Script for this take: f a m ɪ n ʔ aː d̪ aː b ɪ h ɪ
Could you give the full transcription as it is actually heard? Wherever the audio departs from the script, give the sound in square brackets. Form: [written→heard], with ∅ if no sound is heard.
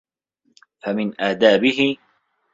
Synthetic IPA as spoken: f a m ɪ n ʔ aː d̪ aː b ɪ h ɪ